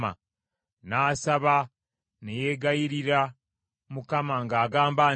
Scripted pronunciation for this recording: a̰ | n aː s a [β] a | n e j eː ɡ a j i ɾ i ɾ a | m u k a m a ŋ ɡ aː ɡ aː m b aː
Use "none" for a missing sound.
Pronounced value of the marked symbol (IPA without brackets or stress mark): β